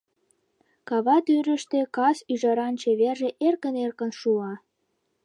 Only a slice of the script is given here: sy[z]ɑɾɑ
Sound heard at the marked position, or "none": ʒ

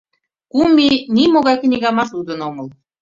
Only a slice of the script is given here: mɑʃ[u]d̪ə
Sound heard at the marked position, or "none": u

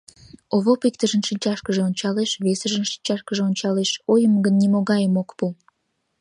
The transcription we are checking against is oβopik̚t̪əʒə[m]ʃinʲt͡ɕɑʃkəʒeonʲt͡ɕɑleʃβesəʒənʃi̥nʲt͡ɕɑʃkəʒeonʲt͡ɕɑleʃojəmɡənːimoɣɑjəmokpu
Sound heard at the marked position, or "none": n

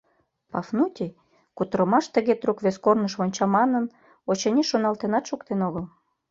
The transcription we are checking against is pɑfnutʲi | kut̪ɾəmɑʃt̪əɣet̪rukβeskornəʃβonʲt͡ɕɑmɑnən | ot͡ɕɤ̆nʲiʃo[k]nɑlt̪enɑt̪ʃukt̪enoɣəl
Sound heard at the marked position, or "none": none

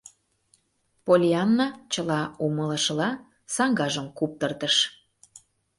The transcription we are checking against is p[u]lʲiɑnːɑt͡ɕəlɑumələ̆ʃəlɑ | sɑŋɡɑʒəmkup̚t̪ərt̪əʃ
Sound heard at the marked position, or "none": o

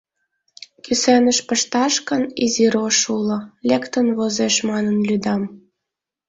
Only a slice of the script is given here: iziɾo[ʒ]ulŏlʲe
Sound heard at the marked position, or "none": ʃ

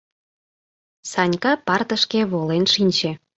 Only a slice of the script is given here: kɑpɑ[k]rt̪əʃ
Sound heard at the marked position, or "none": none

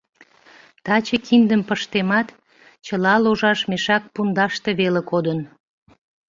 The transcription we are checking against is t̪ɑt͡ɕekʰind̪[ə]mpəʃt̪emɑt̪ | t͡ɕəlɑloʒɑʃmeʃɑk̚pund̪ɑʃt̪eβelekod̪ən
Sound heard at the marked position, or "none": ə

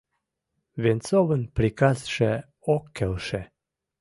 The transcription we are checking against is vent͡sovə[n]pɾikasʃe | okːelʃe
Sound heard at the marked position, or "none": n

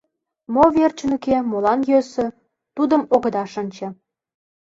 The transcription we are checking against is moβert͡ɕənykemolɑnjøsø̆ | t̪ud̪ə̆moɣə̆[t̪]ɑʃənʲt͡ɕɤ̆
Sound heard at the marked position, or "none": d̪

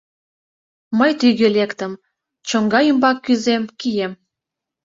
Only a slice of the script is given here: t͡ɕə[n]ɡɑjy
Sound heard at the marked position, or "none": ŋ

